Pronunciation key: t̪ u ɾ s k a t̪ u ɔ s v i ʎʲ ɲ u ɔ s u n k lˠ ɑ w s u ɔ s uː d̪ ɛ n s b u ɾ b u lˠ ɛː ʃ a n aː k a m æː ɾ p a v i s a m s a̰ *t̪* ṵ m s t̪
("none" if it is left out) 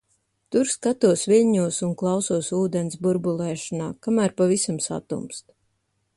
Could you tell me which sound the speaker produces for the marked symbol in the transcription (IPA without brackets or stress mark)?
t̪